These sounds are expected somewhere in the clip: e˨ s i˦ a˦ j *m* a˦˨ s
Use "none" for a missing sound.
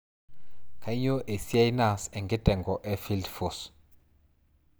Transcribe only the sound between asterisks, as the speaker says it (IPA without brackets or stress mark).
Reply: n